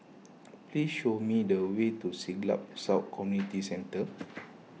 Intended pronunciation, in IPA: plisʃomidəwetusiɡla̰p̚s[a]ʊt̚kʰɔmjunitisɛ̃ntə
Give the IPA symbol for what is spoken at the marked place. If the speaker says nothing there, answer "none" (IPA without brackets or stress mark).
a